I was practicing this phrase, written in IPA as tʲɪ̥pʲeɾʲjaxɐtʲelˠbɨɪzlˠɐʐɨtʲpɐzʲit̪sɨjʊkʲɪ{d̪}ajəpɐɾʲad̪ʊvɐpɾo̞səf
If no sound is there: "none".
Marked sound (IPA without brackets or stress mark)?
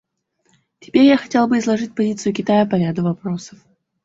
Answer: t̪